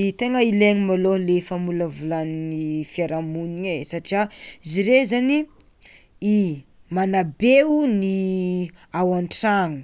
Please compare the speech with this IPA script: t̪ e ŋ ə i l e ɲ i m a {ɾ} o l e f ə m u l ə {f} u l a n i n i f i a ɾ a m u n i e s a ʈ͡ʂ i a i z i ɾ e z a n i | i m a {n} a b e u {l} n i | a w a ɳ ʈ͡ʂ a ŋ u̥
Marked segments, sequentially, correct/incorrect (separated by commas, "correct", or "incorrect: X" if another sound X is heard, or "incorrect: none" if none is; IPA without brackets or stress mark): incorrect: l, incorrect: v, correct, incorrect: none